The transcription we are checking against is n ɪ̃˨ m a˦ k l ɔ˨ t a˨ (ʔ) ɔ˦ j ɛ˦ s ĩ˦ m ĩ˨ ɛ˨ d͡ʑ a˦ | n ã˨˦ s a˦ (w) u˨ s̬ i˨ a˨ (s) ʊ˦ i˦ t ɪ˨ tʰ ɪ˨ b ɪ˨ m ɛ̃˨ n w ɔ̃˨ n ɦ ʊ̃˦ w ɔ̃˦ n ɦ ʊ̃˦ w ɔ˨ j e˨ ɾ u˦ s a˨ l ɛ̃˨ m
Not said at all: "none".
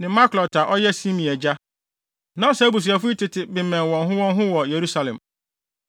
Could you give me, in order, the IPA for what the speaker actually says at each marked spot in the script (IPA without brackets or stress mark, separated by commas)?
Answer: ʔ, b, f